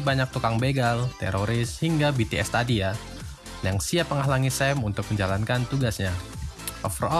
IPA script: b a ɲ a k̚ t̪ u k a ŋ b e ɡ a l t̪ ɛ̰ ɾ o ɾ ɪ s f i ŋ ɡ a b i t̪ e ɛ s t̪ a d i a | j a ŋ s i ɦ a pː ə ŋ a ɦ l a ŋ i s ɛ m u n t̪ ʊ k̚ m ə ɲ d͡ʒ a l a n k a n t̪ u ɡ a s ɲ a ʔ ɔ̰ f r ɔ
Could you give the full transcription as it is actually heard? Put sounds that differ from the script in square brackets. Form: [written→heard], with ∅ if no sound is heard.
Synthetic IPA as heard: b a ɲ a k̚ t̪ u k a ŋ b e ɡ a l t̪ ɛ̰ ɾ o ɾ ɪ s [f→h] i ŋ ɡ a b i t̪ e ɛ s t̪ a d i a | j a ŋ s i [ɦ→∅] a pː ə ŋ a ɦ l a ŋ i s ɛ m u n t̪ ʊ k̚ m ə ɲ d͡ʒ a l a n k a n t̪ u ɡ a s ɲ a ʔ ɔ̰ f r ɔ